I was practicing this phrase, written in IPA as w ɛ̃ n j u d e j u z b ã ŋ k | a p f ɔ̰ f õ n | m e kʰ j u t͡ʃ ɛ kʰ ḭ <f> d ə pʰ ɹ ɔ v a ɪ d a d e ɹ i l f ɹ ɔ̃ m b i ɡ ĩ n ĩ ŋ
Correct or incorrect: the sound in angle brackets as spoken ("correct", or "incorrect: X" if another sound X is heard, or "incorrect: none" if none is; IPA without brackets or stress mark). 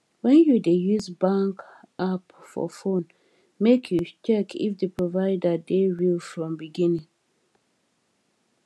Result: correct